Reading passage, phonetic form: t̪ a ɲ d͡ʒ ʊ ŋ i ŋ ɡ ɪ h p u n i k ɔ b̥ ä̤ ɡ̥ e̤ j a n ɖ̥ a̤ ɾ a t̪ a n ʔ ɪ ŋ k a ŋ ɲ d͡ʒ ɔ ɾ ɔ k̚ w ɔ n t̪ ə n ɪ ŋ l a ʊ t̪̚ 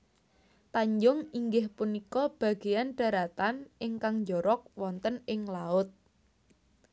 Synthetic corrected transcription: t̪ a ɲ d͡ʒ ʊ ŋ i ŋ ɡ ɪ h p u n i k ɔ b̥ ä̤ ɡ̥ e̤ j a n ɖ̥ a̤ ɾ a t̪ a n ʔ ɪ ŋ k a ŋ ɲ d͡ʒ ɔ ɾ ɔ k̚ w ɔ n t̪ ə n ɪ ŋ l a ʊ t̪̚

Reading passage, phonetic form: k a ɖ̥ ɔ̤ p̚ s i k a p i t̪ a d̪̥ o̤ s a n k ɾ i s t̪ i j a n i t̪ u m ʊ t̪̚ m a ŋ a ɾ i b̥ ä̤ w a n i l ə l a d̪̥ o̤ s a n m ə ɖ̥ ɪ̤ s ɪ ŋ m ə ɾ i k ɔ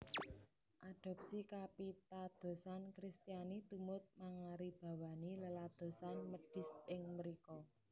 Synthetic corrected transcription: ʔ a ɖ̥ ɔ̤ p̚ s i k a p i t̪ a d̪̥ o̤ s a n k ɾ i s t̪ i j a n i t̪ u m ʊ t̪̚ m a ŋ a ɾ i b̥ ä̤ w a n i l ə l a d̪̥ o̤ s a n m ə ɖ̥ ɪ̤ s ɪ ŋ m ə ɾ i k ɔ

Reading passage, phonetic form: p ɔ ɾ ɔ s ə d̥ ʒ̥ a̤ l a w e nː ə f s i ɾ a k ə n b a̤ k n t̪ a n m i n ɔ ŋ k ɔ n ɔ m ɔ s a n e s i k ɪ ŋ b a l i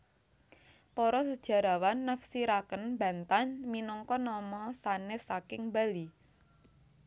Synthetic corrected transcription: p ɔ ɾ ɔ s ə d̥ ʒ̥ a̤ ɾ a w a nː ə f s i ɾ a k ə n b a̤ n t̪ a n m i n ɔ ŋ k ɔ n ɔ m ɔ s a n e s a k ɪ ŋ b a l i

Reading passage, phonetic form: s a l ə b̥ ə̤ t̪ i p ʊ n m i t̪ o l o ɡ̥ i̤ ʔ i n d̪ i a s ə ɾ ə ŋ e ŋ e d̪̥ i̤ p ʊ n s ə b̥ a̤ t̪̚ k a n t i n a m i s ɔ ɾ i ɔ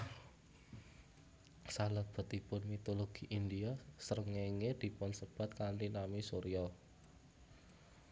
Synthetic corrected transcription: s a l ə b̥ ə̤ t̪ i p ʊ n m i t̪ o l o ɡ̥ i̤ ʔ i n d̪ i a s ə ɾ ə ŋ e ŋ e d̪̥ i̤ p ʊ n s ə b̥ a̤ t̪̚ k a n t i n a m i s o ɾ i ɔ

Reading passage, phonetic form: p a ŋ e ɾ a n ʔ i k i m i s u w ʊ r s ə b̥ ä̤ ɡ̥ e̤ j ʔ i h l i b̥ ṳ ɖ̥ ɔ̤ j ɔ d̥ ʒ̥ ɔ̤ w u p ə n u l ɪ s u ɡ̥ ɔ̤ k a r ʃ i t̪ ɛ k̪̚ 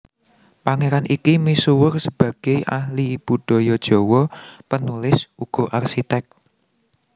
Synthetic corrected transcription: p a ŋ e ɾ a n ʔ i k i m i s u w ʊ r s ə b̥ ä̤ ɡ̥ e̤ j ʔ a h l i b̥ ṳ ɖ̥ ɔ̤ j ɔ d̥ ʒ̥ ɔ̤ w ɔ p ə n u l ɪ s u ɡ̥ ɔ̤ ʔ a r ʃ i t̪ ɛ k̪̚

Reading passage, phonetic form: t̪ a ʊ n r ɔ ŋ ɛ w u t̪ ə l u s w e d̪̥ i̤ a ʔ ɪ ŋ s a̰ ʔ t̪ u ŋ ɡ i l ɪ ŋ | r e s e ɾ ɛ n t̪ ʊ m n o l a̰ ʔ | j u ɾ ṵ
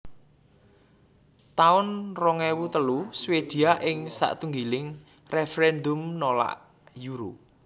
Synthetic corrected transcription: t̪ a ʊ n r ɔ ŋ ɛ w u t̪ ə l u s w e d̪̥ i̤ a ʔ ɪ ŋ s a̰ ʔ t̪ u ŋ ɡ i l ɪ ŋ | r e f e ɾ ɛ n d̪ ʊ m n o l a̰ ʔ | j u ɾ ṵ

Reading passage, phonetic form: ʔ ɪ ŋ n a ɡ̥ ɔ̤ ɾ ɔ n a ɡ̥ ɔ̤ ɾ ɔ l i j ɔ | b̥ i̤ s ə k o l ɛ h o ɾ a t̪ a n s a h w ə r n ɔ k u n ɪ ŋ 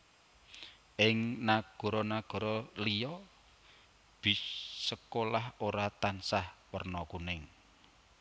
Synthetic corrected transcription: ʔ ɪ ŋ n a ɡ̥ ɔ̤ ɾ ɔ n a ɡ̥ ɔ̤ ɾ ɔ l i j ɔ | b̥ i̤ s ə k o l a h o ɾ a t̪ a n s a h w ə r n ɔ k u n ɪ ŋ

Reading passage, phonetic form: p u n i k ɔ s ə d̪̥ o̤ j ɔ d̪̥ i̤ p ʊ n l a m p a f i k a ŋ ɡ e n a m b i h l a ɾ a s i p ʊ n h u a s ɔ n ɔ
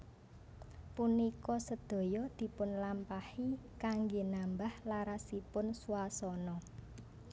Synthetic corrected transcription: p u n i k ɔ s ə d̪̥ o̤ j ɔ d̪̥ i̤ p ʊ n l a m p a h i k a ŋ ɡ e n a m b a h l a ɾ a s i p ʊ n s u a s ɔ n ɔ

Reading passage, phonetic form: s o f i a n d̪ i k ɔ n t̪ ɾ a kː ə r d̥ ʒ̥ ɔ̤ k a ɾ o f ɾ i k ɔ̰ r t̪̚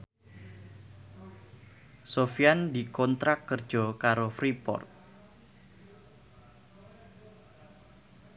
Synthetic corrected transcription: s o f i a n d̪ i k ɔ n t̪ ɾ a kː ə r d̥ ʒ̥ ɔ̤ k a ɾ o f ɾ i p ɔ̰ r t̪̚

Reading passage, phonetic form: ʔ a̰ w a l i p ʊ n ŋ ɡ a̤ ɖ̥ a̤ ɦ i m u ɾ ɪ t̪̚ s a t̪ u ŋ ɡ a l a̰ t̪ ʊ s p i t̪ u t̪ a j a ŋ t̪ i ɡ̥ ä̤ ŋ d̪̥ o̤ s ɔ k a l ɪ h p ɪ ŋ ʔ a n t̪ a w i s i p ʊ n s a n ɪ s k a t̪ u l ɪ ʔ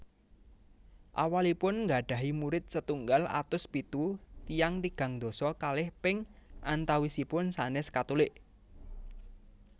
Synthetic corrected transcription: ʔ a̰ w a l i p ʊ n ŋ ɡ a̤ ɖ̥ a̤ ɦ i m u ɾ ɪ t̪̚ s ə t̪ u ŋ ɡ a l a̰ t̪ ʊ s p i t̪ u t̪ i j a ŋ t̪ i ɡ̥ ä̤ ŋ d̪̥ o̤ s ɔ k a l ɪ h p ɪ ŋ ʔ a n t̪ a w i s i p ʊ n s a n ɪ s k a t̪ u l ɪ ʔ

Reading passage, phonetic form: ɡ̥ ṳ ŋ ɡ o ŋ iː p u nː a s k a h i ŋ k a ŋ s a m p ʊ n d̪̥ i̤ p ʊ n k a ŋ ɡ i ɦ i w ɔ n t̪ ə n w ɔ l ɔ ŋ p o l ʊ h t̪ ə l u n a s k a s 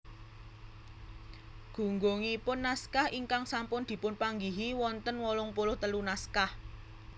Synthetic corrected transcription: ɡ̥ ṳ ŋ ɡ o ŋ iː p ʊ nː a s k a h i ŋ k a ŋ s a m p ʊ n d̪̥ i̤ p ʊ n p a ŋ ɡ i ɦ i w ɔ n t̪ ə n w ɔ l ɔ ŋ p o l ʊ h t̪ ə l u n a s k a h

